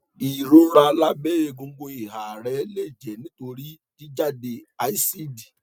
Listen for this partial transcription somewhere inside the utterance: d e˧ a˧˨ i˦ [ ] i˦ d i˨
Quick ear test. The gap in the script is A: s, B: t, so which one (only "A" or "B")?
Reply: A